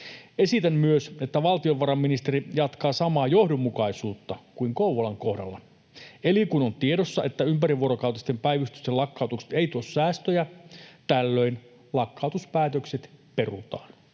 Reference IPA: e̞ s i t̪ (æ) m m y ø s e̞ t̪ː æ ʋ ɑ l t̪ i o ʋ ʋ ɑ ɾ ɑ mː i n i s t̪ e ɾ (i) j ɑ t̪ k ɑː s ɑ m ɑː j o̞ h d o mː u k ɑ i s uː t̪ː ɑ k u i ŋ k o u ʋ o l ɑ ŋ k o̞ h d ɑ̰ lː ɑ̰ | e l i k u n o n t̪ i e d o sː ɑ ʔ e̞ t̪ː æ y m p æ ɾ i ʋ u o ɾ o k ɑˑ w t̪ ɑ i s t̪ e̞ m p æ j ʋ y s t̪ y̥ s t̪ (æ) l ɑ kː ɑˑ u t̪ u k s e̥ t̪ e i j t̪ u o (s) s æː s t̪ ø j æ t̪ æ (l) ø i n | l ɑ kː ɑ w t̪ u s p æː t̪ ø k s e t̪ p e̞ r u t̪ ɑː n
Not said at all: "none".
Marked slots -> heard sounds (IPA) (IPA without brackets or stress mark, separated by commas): æ, i, e, s, lː